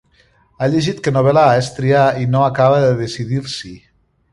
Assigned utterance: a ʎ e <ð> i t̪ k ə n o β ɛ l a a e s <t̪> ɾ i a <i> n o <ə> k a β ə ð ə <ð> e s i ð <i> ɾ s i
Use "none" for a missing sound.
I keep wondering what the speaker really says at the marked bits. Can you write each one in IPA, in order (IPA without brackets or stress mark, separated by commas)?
ʒ, t̪, i, a, ð, i